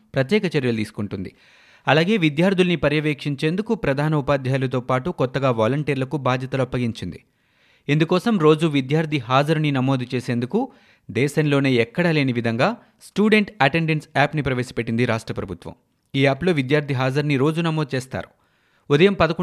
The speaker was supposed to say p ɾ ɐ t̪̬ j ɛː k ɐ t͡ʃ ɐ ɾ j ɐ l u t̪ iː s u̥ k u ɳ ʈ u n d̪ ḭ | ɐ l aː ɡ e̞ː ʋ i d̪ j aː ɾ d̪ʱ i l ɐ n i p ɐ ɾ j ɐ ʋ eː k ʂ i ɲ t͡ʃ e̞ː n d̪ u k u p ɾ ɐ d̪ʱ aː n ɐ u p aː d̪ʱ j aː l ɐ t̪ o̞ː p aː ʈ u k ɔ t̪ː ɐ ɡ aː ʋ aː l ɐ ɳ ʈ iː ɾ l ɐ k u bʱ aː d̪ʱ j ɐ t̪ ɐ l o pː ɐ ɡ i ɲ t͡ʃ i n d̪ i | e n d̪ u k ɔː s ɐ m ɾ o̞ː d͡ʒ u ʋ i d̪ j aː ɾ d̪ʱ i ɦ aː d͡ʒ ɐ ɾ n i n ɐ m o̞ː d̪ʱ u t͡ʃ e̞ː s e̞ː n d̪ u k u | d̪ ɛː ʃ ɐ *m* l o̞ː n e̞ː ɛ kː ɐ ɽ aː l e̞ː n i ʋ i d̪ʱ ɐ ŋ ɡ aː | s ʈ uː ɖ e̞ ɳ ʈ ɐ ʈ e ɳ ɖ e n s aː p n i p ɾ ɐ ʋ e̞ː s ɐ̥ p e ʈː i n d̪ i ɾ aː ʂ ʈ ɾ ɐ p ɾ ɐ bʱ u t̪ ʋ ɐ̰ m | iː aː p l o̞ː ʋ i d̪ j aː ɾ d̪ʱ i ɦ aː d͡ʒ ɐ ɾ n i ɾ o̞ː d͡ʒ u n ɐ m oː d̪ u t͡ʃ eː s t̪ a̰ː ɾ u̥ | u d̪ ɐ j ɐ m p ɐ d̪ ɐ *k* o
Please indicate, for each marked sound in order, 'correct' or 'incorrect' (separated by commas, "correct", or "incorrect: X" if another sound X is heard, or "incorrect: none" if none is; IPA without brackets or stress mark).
incorrect: n, correct